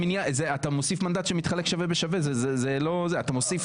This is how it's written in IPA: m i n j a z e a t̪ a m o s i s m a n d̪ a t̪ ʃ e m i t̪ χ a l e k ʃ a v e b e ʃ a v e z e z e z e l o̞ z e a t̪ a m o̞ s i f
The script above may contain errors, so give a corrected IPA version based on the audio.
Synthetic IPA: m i n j a z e a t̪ a m o s i f m a n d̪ a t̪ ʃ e m i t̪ χ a l e k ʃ a v e b e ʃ a v e z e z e z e l o̞ z e a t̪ a m o̞ s i f